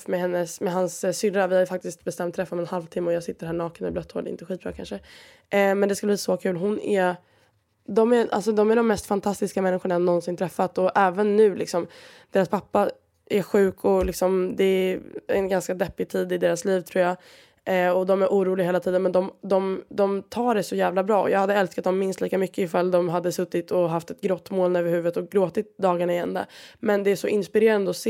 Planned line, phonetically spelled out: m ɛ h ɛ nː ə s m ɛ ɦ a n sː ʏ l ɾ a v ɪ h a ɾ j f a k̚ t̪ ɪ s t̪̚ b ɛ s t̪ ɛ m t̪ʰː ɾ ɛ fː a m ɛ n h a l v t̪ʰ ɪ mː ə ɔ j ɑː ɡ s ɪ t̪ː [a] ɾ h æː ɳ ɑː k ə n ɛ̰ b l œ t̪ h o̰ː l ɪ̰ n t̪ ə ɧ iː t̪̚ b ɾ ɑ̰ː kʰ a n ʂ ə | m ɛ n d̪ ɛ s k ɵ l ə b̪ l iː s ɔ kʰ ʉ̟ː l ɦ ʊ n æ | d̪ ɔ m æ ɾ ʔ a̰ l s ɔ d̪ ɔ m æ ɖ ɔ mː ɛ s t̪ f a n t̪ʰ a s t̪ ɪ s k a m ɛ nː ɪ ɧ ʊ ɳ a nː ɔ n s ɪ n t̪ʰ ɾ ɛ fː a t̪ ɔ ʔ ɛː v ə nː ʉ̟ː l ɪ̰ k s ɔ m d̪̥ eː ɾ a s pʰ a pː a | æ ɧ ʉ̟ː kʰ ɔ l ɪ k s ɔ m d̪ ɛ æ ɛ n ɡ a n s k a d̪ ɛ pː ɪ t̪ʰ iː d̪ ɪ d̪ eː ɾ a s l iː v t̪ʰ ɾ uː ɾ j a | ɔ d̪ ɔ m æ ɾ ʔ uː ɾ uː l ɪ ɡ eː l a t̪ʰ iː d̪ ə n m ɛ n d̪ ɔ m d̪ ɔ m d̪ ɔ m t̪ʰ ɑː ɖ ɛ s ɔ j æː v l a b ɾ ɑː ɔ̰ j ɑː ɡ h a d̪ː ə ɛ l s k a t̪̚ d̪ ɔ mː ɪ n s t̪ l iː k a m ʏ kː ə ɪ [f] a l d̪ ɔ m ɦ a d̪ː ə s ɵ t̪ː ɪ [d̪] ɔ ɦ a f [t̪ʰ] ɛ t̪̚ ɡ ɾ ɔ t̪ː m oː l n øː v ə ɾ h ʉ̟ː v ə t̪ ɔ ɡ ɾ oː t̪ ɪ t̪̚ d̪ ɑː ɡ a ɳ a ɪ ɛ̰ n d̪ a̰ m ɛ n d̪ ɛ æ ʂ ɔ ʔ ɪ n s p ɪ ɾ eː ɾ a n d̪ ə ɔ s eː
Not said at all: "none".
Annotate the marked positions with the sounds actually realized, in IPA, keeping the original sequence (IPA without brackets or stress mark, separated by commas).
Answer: ə, f, t̪, t̪